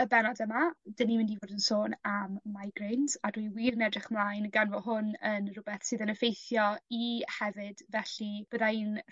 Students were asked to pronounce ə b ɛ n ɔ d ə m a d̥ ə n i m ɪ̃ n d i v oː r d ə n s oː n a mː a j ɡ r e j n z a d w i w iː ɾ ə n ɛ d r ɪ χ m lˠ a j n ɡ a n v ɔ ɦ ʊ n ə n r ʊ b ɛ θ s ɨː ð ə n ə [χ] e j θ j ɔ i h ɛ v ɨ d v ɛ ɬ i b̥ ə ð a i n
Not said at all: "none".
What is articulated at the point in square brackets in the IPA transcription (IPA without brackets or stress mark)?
f